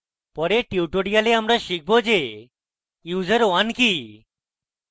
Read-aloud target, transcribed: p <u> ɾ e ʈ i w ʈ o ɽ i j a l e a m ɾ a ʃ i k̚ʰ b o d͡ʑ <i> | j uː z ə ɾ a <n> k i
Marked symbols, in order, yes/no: no, no, yes

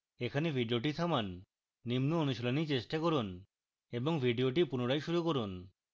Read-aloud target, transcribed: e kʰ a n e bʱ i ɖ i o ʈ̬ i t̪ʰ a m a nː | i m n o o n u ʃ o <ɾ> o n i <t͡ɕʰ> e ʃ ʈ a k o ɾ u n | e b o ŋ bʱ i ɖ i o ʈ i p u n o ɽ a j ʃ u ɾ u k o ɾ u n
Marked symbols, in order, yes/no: no, no

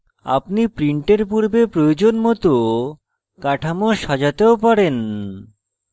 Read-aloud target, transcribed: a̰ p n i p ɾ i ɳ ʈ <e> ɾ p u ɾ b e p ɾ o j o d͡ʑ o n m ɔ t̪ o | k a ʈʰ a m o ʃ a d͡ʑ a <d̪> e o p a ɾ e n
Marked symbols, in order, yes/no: yes, no

